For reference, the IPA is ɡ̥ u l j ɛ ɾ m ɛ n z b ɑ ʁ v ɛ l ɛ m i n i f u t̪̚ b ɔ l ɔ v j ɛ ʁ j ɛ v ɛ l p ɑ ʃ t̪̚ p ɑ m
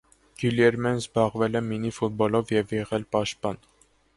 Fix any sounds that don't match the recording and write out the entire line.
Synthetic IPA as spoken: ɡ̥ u l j ɛ ɾ m ɛ n z b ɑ ʁ v ɛ l ɛ m i n i f u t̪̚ b ɔ l ɔ v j ɛ v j ɛ ʁ ɛ l p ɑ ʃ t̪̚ p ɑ n